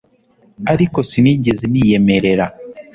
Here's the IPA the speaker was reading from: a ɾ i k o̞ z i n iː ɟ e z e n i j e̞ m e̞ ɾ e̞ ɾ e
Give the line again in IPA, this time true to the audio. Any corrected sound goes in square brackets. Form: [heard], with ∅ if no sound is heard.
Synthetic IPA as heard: a ɾ i k o̞ [s] i n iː ɟ e z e n i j e̞ m e̞ ɾ e̞ ɾ [a]